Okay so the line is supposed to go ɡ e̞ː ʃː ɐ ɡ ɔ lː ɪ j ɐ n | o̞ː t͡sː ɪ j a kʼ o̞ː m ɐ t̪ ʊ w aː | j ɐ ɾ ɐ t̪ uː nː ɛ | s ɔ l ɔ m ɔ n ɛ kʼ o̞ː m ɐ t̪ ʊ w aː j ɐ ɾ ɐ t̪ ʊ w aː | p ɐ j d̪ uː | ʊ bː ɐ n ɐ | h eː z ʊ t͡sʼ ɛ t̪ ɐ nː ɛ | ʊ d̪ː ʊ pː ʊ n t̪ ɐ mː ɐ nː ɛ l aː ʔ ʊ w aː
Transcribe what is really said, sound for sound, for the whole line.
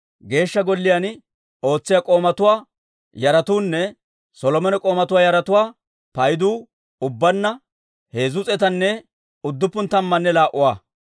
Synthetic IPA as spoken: ɡ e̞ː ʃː ɐ ɡ ɔ lː ɪ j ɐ n | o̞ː t͡sː ɪ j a kʼ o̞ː m ɐ t̪ ʊ w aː | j ɐ ɾ ɐ t̪ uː nː ɛ | s ɔ l ɔ m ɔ n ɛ kʼ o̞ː m ɐ t̪ ʊ w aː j ɐ ɾ ɐ t̪ ʊ w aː | p ɐ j d̪ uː | ʊ bː ɐ nː ɐ | h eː z ʊ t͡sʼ ɛ t̪ ɐ nː ɛ | ʊ d̪ː ʊ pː ʊ n t̪ ɐ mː ɐ nː ɛ l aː ʔ ʊ w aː